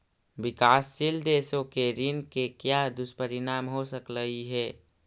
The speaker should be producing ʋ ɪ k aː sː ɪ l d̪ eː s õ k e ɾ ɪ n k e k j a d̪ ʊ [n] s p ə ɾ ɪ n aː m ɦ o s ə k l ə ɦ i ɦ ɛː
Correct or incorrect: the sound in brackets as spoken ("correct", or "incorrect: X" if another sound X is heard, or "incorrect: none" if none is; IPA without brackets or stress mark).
incorrect: none